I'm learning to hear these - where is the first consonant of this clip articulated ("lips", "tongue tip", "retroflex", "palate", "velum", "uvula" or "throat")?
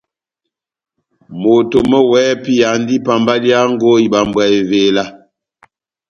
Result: lips